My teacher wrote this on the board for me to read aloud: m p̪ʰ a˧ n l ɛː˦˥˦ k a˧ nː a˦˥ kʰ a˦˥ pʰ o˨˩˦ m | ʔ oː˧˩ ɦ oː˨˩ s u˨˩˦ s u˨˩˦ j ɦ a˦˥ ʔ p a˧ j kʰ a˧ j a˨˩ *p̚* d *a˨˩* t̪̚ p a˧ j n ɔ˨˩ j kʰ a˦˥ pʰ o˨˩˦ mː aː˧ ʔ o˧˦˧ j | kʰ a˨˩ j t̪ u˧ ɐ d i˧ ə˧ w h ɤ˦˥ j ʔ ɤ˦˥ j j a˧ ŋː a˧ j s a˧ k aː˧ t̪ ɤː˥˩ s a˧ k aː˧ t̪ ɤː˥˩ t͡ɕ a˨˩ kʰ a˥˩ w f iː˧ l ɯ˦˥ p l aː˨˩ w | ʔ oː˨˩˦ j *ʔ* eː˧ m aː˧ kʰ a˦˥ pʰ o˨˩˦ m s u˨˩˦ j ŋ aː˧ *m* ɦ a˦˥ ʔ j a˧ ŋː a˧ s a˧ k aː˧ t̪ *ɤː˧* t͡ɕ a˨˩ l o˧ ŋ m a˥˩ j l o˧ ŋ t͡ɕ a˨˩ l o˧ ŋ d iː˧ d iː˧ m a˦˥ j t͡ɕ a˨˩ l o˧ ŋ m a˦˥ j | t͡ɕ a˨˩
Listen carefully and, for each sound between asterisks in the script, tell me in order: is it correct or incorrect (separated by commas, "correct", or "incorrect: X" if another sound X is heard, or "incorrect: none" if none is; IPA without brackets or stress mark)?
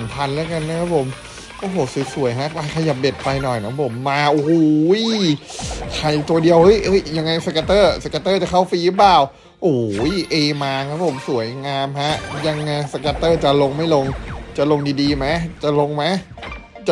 correct, incorrect: e˨˩, correct, correct, incorrect: ɤː˥˩